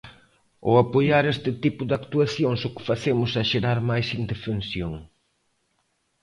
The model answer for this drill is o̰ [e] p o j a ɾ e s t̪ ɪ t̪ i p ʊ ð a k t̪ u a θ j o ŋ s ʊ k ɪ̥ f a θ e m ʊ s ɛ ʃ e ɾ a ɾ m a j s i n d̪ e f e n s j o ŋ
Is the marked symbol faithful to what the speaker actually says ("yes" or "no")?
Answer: no